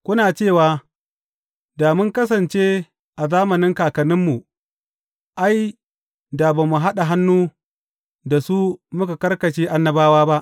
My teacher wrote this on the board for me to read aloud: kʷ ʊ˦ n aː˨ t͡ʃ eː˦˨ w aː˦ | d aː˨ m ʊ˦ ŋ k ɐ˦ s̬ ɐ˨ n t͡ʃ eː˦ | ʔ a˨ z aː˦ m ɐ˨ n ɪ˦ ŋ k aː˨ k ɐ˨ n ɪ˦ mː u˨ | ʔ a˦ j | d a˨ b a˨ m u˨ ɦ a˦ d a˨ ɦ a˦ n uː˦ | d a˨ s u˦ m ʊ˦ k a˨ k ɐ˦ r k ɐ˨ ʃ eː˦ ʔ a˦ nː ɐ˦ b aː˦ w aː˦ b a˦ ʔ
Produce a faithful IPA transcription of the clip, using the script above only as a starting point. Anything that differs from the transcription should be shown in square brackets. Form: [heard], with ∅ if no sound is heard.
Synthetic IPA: kʷ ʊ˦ n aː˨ t͡ʃ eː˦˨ w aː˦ | d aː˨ m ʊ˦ ŋ k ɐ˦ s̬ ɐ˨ n t͡ʃ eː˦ | ʔ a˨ z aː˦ m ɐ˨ n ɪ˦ ŋ k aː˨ k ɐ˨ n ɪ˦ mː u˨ | ʔ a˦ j | d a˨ b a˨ m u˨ ɦ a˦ [ɗ] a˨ ɦ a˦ [nː] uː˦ | d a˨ s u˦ m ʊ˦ k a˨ k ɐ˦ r k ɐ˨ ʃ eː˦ ʔ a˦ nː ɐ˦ b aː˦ w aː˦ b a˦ ʔ